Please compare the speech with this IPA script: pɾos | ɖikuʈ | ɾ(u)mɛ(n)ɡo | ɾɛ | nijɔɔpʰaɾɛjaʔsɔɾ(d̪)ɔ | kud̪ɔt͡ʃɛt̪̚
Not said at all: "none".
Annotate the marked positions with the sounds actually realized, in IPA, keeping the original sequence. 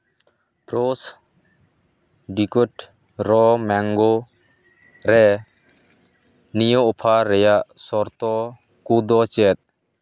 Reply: ɔ, ŋ, t̪

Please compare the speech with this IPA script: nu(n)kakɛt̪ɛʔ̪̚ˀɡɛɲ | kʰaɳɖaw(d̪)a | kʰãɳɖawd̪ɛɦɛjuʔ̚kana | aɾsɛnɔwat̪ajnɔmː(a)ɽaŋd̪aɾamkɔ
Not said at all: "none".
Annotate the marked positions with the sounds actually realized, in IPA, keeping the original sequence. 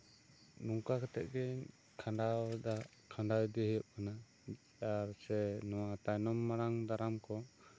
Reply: ŋ, d̪, a

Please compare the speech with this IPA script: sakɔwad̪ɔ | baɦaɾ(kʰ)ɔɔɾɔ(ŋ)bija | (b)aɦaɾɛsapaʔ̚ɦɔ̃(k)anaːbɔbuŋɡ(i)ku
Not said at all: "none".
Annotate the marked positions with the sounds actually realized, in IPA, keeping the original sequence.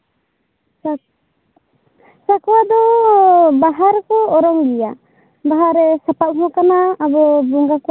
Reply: k, ŋ, b, k, a

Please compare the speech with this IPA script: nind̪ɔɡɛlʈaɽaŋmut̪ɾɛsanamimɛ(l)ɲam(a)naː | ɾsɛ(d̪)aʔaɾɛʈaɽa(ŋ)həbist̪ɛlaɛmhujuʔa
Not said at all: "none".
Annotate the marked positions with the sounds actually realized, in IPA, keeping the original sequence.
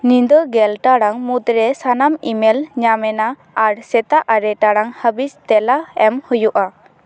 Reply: l, ɛ, t̪, ŋ

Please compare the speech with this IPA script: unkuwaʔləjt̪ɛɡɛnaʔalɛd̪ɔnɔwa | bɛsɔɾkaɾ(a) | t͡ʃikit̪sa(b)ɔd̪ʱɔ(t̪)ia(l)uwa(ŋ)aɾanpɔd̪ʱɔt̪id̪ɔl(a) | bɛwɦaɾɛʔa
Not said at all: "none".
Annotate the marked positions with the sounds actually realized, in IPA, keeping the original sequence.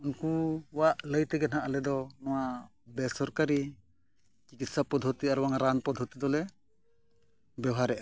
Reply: i, p, t̪, ɾ, ŋ, ɛ

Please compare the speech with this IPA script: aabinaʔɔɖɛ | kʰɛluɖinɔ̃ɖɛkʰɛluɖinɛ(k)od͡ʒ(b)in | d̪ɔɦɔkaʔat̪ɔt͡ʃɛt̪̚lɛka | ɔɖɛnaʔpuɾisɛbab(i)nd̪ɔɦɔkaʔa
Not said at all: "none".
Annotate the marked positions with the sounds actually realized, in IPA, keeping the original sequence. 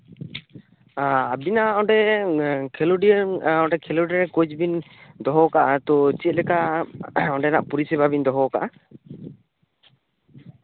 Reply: k, b, i

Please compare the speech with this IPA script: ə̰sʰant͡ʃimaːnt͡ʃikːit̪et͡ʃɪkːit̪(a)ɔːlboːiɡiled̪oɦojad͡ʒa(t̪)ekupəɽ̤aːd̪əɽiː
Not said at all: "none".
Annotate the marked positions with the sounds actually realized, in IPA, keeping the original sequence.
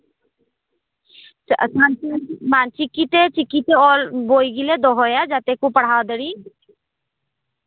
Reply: e, t̪

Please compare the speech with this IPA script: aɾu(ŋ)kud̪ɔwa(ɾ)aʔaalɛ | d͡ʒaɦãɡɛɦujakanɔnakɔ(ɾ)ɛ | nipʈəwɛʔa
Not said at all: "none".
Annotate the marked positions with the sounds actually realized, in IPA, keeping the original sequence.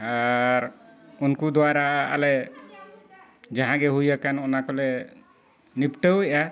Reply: n, ɾ, l

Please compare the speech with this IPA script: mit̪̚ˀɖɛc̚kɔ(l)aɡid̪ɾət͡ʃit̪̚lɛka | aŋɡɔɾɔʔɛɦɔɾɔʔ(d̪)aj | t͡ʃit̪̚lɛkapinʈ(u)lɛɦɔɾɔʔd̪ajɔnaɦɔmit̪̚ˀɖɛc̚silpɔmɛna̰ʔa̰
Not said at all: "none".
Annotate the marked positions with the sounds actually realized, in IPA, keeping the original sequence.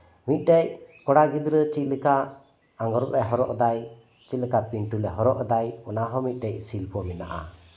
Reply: ɽ, d̪, u

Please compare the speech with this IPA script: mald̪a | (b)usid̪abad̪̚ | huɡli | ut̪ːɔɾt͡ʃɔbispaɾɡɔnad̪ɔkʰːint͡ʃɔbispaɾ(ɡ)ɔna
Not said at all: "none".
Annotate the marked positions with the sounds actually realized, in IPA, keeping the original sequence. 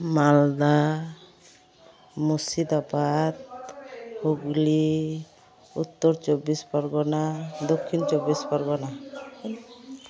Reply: m, ɡ

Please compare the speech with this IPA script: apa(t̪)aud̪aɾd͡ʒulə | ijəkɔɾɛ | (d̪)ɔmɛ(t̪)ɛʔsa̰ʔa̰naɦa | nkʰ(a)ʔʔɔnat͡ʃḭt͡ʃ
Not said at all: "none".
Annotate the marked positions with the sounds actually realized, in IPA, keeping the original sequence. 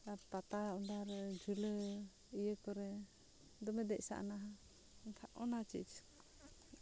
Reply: t̪, d̪, d̪, a

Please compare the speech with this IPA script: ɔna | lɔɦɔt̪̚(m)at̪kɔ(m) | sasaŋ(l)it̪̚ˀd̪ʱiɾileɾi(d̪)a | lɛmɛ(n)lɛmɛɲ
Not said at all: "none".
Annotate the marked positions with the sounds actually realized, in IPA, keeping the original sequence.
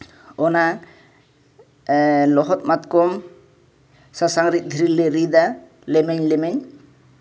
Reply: m, m, ɾ, d̪, ɲ

